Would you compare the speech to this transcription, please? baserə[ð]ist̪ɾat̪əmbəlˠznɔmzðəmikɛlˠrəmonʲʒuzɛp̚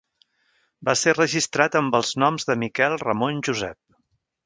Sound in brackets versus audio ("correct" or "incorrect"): incorrect